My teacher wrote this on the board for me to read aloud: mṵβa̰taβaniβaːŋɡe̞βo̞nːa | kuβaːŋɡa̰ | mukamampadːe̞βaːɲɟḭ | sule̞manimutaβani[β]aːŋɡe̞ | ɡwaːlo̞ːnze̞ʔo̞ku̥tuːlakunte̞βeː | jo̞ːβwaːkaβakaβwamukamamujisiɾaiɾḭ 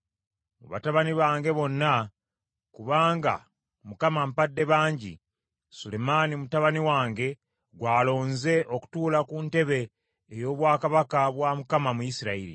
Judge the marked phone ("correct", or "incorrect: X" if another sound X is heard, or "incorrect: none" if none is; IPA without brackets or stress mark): incorrect: w